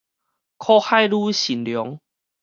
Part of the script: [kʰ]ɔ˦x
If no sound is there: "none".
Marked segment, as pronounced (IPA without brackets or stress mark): kʰ